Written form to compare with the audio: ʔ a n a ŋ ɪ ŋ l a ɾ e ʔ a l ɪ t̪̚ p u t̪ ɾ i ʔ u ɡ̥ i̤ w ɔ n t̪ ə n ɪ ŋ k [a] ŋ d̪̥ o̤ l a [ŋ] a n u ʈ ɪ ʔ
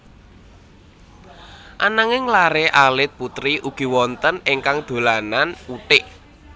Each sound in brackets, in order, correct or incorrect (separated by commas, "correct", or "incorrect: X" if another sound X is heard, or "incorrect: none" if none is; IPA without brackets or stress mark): correct, incorrect: n